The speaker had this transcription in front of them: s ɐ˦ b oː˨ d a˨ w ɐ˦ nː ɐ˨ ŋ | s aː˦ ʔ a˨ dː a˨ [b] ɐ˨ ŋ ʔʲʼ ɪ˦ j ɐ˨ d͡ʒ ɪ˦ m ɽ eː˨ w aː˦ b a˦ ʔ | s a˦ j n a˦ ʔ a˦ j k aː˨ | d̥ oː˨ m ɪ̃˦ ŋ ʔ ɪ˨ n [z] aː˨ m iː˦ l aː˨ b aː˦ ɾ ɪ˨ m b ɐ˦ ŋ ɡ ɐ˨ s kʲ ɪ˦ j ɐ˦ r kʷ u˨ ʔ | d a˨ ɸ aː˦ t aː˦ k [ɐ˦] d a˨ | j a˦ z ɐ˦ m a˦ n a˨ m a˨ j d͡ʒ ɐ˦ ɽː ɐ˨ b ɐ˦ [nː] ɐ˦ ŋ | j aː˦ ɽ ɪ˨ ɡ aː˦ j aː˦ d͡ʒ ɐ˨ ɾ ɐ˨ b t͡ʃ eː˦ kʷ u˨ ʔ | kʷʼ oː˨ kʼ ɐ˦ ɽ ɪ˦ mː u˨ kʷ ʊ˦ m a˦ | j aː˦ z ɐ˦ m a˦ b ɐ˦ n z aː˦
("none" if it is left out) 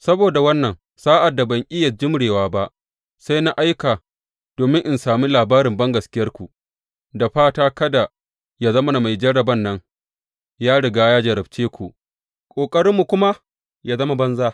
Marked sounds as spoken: b, s, ɐ˦, nː

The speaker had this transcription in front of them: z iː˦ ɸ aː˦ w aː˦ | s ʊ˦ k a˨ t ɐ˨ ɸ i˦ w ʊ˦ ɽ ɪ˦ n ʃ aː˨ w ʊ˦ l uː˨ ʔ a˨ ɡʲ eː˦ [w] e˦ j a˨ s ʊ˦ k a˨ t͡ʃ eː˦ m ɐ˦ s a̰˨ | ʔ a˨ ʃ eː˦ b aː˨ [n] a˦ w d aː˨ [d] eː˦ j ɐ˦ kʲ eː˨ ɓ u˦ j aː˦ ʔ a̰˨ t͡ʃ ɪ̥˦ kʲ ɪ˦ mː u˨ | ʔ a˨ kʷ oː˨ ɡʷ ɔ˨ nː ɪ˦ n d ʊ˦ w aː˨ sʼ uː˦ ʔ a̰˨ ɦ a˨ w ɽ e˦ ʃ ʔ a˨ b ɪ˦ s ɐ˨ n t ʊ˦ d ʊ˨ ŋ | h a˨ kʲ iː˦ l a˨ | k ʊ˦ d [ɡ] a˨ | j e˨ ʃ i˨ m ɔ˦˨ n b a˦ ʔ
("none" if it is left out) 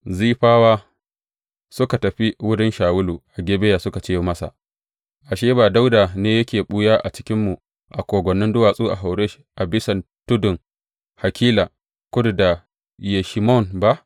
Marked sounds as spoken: b, d, n, d

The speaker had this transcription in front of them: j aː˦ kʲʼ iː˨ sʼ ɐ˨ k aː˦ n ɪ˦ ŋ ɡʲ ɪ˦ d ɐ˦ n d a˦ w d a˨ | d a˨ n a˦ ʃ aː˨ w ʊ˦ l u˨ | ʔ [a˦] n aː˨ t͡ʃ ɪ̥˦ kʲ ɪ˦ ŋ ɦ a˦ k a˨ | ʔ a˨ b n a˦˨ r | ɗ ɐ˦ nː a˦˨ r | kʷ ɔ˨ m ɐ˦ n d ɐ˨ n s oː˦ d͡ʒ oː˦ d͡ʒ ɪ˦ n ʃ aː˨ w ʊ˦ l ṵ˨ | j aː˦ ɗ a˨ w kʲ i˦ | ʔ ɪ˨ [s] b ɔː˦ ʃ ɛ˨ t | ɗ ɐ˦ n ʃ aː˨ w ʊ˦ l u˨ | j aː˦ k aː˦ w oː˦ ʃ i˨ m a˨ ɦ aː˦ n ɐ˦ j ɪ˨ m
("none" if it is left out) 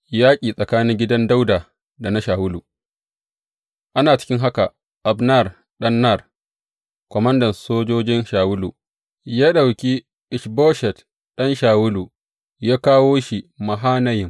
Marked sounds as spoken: a˦, ʃ

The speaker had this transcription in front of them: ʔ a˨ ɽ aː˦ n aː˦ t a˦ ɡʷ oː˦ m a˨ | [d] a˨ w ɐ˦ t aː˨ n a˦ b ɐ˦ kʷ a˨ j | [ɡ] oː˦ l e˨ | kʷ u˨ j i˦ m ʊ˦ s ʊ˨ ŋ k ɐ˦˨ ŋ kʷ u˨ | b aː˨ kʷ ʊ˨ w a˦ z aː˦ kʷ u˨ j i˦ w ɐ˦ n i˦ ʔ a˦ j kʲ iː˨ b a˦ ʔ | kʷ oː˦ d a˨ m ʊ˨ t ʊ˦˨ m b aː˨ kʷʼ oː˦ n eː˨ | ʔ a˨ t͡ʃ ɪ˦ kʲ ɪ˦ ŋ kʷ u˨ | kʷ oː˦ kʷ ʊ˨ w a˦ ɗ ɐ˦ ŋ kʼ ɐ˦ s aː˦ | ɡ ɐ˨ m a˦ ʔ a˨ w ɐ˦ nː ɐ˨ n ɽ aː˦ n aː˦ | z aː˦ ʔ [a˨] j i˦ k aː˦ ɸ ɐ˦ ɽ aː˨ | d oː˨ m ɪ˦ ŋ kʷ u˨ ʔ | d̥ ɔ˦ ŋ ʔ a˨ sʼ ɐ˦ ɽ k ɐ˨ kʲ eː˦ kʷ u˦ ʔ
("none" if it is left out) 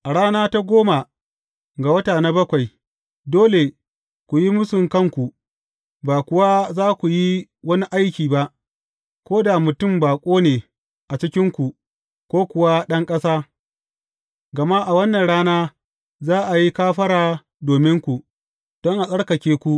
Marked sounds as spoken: ɡ, d, a˨

